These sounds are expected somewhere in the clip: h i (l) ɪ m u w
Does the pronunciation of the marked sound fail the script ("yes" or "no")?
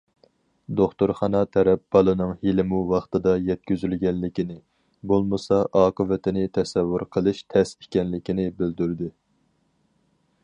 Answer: no